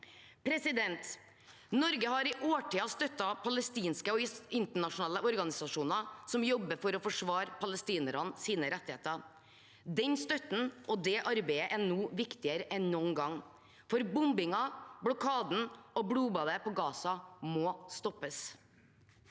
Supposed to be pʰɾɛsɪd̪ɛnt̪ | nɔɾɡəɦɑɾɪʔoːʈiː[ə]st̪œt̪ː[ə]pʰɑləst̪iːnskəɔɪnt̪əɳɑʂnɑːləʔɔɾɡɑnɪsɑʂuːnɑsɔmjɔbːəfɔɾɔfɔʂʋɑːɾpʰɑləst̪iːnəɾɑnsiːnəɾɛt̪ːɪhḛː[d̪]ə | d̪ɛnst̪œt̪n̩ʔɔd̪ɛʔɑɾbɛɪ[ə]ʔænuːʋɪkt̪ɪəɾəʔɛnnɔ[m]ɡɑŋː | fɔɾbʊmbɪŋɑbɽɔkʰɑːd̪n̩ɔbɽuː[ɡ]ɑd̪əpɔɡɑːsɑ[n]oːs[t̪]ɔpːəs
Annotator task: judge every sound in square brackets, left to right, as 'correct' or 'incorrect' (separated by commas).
incorrect, incorrect, incorrect, correct, incorrect, incorrect, incorrect, correct